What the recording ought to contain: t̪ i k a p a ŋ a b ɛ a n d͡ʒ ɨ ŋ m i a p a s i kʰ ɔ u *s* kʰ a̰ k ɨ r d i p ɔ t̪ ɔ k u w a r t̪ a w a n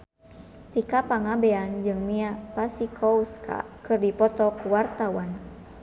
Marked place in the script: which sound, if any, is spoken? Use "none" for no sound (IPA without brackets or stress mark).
s